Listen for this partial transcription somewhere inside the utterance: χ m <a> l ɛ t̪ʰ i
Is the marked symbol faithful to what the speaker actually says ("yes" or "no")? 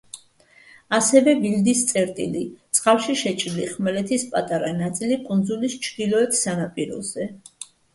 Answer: no